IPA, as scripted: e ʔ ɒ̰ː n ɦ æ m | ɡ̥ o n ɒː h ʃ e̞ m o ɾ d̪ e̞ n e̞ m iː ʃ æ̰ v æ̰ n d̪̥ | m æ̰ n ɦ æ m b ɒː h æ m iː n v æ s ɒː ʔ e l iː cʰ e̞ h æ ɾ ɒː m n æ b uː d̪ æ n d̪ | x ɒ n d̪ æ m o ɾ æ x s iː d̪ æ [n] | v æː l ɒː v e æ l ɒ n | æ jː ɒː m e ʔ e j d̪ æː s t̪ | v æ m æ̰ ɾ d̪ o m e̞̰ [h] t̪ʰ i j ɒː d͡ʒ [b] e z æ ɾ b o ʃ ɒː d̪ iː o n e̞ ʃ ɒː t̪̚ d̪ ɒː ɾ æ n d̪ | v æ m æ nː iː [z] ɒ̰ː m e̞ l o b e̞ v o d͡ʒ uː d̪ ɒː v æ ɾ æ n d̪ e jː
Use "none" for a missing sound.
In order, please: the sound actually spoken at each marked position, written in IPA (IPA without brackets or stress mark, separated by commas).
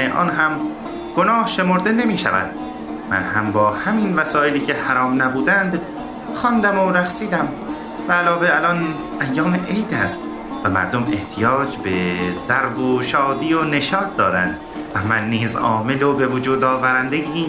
m, h, b, z